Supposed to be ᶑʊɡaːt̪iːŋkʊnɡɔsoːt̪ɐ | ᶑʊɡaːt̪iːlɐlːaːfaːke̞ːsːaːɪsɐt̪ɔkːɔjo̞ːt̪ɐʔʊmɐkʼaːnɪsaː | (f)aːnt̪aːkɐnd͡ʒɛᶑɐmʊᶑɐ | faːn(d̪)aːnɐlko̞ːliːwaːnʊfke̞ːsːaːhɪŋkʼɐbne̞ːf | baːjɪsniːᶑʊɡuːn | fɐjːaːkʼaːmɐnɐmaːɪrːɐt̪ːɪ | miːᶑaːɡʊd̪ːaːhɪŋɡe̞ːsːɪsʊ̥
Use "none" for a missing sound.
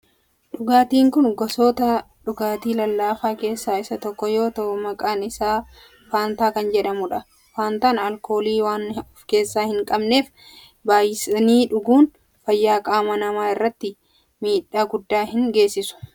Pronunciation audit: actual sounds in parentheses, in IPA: f, t̪

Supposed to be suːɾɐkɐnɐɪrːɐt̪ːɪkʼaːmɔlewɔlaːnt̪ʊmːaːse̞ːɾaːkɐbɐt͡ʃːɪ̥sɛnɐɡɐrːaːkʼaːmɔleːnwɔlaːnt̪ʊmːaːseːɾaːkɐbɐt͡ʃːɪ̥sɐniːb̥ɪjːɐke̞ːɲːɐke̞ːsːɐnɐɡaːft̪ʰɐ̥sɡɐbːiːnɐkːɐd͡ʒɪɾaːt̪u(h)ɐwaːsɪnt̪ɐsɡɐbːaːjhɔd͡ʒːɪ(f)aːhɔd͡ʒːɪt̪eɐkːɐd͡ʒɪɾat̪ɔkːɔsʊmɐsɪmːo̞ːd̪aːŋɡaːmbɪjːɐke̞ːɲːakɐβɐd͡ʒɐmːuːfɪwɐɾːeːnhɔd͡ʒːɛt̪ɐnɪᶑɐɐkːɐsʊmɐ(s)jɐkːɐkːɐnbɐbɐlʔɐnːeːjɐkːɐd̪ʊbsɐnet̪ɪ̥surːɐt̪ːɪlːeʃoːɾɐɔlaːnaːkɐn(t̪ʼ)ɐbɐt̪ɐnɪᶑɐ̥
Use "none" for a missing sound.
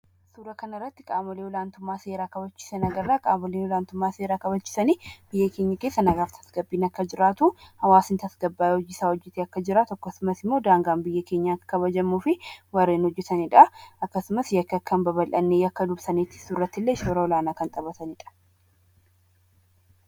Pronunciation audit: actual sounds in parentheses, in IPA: h, s, s, t̪ʼ

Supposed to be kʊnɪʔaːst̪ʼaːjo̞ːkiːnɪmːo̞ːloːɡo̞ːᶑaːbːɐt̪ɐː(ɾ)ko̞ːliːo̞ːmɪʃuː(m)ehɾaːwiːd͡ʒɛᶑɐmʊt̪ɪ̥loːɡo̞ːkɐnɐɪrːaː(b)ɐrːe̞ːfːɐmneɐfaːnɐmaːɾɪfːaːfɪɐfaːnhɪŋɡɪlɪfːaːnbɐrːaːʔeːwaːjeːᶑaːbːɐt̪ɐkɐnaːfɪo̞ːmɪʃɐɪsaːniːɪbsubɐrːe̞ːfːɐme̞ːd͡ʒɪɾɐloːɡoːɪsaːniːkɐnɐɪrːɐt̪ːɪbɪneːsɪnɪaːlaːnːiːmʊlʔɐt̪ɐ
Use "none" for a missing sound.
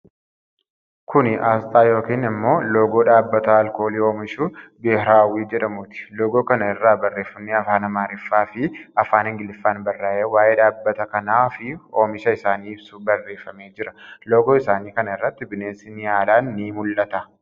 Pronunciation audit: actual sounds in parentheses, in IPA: l, b, b

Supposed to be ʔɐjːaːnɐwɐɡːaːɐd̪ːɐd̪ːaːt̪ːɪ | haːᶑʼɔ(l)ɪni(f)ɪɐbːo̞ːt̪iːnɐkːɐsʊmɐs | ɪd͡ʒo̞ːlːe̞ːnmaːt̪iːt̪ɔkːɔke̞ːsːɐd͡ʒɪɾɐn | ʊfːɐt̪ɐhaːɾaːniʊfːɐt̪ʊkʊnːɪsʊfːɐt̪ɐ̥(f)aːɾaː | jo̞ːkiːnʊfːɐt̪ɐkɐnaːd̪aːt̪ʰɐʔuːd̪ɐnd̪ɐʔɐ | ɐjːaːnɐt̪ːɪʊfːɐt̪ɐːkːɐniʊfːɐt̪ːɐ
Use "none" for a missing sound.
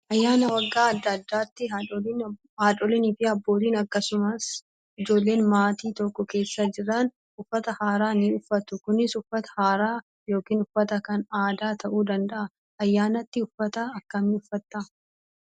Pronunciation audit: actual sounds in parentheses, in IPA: l, f, h

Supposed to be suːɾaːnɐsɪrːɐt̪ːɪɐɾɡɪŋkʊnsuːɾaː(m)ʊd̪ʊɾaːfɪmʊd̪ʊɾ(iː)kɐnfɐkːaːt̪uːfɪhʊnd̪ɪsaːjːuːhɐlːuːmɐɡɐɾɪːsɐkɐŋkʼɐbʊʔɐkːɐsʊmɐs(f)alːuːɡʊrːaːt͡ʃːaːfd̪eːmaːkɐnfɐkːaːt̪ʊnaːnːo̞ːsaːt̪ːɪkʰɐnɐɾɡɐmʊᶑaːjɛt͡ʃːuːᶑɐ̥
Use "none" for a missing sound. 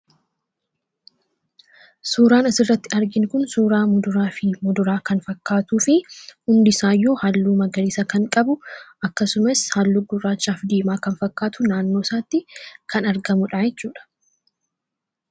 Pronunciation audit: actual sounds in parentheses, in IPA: m, aː, h

